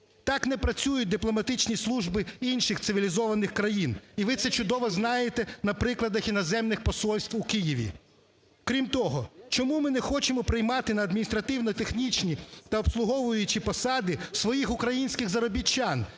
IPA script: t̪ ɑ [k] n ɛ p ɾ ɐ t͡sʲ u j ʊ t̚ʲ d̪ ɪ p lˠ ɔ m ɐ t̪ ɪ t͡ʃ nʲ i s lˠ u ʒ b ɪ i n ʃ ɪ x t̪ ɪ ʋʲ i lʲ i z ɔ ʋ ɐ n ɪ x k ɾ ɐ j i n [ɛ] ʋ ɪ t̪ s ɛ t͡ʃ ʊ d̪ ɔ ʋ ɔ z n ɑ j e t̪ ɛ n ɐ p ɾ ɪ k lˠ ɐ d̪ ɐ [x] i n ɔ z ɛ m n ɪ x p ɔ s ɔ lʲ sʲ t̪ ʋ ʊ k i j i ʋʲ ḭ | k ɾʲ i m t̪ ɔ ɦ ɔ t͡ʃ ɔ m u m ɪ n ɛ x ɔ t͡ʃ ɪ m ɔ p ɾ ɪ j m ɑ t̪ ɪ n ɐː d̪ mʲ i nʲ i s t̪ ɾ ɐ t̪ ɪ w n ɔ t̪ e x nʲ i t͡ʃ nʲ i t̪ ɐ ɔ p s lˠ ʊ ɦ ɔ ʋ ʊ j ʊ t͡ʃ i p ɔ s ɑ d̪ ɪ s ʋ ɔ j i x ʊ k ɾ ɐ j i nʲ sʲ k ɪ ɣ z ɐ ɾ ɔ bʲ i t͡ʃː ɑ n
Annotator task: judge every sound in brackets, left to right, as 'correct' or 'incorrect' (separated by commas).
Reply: correct, incorrect, correct